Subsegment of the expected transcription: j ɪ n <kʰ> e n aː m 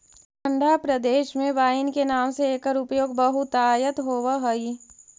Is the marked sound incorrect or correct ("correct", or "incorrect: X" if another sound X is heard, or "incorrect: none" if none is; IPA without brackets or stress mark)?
incorrect: k